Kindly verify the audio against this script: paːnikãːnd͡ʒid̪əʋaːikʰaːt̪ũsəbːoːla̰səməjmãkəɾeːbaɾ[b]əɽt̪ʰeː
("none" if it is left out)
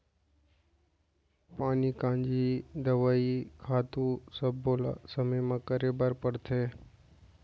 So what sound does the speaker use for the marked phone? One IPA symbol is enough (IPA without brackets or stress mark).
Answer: p